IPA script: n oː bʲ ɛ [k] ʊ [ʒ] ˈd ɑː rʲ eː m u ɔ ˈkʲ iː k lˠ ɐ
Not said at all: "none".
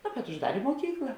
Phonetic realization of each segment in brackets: t, ʒ

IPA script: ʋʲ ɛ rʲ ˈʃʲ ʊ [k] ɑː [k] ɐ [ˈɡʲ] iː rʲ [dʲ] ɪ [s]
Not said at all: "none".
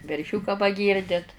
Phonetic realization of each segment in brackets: k, p, ɡʲ, dʲ, t

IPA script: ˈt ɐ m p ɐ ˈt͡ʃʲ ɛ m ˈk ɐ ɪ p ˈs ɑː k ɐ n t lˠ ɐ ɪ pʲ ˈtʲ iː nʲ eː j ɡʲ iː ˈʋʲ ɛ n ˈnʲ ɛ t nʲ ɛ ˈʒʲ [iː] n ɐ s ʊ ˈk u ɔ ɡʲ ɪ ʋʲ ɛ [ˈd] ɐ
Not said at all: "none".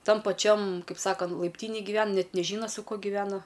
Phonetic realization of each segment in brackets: iː, n

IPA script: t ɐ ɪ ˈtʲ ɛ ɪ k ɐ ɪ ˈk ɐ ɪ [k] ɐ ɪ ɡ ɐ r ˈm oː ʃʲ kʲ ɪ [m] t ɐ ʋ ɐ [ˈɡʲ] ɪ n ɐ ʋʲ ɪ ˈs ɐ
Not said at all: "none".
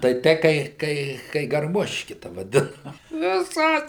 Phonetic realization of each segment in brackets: k, none, dʲ

